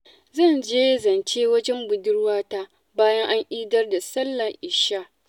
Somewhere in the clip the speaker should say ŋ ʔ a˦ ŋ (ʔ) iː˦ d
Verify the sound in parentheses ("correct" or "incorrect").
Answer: correct